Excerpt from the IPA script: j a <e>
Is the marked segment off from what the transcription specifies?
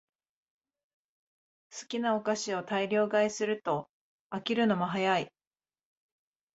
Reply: yes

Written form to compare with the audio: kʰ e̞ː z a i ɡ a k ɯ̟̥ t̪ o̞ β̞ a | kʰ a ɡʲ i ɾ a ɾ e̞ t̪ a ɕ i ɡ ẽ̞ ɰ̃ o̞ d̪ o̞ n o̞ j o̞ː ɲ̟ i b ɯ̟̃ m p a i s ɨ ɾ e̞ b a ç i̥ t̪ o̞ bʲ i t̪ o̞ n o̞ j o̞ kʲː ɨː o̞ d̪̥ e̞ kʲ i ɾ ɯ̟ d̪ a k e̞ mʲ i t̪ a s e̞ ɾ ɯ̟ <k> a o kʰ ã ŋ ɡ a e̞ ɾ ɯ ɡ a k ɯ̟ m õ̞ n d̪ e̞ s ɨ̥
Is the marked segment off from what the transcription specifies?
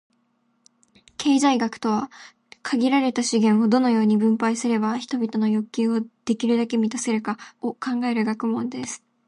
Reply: no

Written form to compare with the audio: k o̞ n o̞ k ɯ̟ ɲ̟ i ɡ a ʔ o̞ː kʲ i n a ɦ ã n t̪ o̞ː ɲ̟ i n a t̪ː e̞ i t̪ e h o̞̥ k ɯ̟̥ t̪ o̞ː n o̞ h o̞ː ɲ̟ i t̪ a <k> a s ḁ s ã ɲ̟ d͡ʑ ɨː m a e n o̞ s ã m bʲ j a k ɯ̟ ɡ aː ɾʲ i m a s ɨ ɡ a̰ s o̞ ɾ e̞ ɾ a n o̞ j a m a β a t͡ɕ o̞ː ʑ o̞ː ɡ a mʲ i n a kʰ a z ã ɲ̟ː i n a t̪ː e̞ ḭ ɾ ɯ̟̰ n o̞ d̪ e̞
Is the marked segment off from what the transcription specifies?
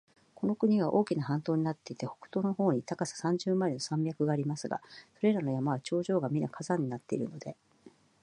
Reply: no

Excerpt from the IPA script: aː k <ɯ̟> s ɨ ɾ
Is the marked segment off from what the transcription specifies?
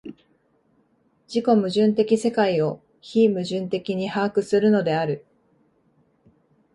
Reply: no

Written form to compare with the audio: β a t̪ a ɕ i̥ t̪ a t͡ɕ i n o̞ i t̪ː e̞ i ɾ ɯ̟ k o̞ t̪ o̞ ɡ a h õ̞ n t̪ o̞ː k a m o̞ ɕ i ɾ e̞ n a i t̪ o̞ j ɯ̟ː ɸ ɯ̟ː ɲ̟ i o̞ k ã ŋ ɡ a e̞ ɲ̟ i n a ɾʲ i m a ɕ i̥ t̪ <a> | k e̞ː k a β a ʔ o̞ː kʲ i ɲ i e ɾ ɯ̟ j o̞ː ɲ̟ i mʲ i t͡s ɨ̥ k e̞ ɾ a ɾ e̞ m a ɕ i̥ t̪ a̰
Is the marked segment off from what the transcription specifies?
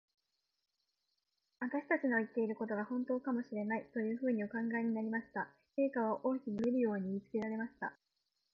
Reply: no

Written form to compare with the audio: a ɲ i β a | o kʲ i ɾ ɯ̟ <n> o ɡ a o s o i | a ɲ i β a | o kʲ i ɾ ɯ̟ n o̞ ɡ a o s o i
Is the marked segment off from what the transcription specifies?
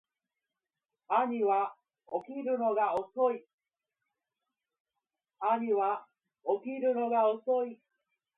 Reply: no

